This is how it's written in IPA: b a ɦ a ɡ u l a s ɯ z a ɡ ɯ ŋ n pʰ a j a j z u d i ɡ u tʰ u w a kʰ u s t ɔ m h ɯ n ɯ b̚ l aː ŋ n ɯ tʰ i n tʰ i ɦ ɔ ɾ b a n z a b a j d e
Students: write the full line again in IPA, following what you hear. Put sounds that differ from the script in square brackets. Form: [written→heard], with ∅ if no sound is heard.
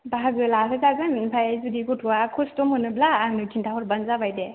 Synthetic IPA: b a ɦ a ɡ [u→ɯ] l a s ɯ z a ɡ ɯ [ŋ→n] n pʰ a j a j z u d i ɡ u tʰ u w a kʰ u s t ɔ m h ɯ n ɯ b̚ l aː ŋ n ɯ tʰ i n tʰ [i→a] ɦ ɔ ɾ b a n z a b a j d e